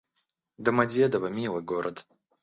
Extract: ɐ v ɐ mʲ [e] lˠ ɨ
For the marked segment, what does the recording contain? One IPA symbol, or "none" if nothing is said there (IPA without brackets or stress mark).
i